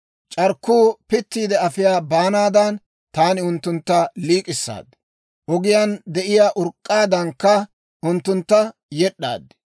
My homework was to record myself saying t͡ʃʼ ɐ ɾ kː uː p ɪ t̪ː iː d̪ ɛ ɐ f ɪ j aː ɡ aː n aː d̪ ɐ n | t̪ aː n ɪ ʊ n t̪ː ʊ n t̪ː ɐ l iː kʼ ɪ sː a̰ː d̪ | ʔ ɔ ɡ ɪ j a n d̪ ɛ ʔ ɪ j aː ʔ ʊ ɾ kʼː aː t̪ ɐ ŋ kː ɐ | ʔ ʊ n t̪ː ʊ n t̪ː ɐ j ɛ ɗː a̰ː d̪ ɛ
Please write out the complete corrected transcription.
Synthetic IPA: t͡ʃʼ ɐ ɾ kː uː p ɪ t̪ː iː d̪ ɛ ɐ f ɪ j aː b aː n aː d̪ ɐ n | t̪ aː n ɪ ʊ n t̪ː ʊ n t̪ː ɐ l iː kʼ ɪ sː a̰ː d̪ | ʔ ɔ ɡ ɪ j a n d̪ ɛ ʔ ɪ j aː ʔ ʊ ɾ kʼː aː d̪ ɐ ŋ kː ɐ | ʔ ʊ n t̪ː ʊ n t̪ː ɐ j ɛ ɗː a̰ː d̪ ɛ